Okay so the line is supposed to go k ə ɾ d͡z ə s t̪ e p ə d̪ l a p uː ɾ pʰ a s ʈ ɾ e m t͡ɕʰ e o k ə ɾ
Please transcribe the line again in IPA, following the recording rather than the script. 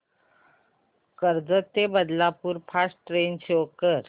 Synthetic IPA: k ə ɾ d͡z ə t̪ e b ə d̪ l a p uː ɾ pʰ a s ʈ ɾ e n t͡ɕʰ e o k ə ɾ